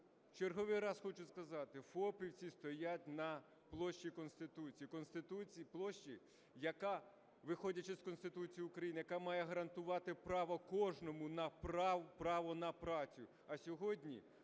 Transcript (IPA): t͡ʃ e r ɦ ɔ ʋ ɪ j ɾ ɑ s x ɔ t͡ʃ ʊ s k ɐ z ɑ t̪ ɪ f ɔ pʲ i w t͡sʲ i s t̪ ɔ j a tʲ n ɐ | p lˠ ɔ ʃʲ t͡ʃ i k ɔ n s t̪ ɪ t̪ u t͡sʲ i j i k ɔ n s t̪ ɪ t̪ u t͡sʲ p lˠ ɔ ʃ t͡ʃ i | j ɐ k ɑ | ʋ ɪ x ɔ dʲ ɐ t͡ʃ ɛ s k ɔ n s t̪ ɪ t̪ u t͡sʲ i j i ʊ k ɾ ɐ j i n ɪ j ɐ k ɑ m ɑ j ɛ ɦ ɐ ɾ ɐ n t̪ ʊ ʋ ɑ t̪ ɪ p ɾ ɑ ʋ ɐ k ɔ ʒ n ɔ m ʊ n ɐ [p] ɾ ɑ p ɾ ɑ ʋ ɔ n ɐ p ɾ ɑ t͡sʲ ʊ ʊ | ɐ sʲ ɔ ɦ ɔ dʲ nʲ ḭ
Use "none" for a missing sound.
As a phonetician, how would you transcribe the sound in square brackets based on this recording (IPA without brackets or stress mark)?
p